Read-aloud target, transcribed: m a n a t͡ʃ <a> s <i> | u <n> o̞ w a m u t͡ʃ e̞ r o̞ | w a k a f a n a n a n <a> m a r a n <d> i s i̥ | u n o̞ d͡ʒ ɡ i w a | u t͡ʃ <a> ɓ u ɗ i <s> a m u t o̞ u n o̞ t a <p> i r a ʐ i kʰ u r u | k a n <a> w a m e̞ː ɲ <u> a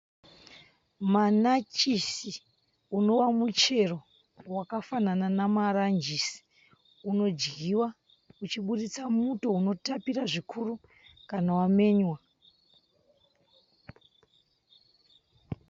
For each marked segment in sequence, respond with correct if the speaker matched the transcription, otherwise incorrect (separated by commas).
incorrect, correct, correct, correct, incorrect, incorrect, incorrect, correct, correct, incorrect